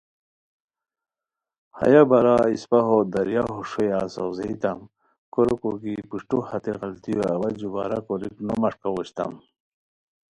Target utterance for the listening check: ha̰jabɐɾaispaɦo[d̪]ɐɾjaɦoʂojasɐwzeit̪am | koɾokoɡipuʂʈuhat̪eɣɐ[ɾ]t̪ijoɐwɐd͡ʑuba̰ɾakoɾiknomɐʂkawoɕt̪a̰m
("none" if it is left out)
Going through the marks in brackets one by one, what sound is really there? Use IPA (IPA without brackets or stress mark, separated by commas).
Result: d̪, l